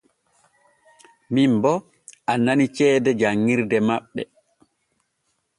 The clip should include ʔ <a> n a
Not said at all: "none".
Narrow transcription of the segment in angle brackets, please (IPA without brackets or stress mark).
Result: a